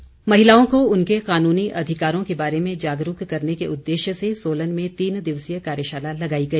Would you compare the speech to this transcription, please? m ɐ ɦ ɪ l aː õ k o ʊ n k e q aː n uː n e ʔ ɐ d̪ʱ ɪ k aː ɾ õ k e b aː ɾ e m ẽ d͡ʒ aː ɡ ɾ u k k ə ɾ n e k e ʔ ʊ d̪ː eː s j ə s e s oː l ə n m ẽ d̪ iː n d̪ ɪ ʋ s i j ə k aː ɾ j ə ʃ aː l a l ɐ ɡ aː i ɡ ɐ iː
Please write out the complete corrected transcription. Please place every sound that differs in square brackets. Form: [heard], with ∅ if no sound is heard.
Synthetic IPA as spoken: m ɐ ɦ ɪ l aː õ k o ʊ n k e q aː n uː n [i] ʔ ɐ d̪ʱ ɪ k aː ɾ õ k e b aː ɾ e m ẽ d͡ʒ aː ɡ ɾ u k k [ɐ] ɾ n e k e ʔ ʊ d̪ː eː [ʃ] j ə s e s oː l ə n m ẽ [t̪] iː n d̪ ɪ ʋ s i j ə k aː ɾ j ə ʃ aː l a l ɐ ɡ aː i ɡ ɐ iː